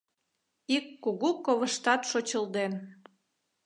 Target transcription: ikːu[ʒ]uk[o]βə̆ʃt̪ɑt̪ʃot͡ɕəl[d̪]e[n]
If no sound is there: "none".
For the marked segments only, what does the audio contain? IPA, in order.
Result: ɣ, o, d̪, n

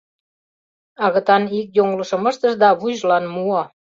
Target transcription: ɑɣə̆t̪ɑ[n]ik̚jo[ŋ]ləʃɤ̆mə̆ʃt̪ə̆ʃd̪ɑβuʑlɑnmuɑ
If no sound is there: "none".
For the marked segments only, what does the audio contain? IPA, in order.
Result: n, ŋ

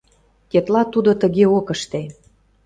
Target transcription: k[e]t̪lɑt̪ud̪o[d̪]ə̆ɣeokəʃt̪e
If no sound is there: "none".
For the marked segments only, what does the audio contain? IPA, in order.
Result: e, t̪

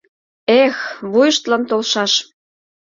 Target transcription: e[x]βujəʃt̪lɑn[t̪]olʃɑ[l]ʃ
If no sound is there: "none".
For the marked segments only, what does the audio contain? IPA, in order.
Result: x, t̪, none

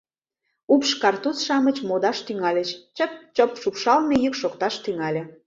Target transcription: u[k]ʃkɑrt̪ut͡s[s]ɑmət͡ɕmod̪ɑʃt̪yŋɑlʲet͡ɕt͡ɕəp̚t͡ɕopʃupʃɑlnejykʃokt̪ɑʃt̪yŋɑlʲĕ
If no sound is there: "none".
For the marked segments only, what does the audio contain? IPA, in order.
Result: p, ʃ

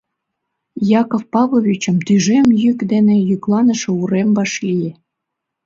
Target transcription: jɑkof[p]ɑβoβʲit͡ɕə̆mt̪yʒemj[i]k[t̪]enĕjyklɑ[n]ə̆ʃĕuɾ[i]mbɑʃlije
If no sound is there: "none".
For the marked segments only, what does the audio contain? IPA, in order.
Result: p, y, d̪, n, e

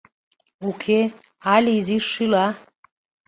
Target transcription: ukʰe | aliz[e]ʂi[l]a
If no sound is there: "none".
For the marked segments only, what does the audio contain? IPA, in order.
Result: i, l

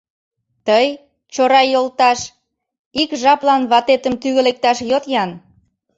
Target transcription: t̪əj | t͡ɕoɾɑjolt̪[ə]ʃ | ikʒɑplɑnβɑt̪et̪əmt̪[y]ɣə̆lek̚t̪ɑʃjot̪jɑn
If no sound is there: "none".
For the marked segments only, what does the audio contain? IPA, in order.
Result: ɑ, y

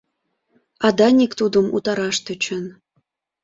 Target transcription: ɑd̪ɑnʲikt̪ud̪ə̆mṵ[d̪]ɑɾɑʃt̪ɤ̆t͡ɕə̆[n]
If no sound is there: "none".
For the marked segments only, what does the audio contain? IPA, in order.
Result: t̪, n

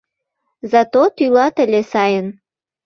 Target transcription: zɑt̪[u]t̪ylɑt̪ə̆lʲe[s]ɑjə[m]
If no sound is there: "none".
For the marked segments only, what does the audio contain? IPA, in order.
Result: o, s, n

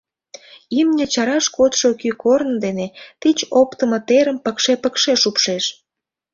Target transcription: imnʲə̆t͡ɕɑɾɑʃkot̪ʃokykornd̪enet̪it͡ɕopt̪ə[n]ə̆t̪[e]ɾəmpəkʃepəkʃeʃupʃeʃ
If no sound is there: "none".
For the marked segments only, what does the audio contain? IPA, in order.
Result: m, e

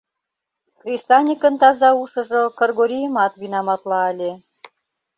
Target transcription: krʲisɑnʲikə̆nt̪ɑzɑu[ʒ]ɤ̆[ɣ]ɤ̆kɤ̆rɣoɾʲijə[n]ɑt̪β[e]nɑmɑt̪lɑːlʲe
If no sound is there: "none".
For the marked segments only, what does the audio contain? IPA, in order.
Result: ʃ, ʒ, m, i

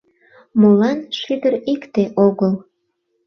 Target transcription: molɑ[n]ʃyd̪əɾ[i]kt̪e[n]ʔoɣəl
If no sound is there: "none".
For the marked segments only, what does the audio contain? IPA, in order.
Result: n, i, none

